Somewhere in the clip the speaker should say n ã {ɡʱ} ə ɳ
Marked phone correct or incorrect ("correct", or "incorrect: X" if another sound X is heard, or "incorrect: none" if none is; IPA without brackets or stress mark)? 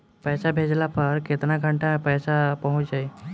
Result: correct